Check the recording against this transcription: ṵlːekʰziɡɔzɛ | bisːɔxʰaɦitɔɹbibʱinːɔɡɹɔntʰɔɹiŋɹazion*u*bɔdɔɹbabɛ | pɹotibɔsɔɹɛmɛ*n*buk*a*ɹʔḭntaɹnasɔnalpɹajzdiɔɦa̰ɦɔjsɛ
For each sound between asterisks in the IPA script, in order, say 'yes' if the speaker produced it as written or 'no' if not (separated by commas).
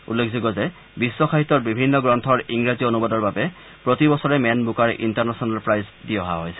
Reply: yes, yes, yes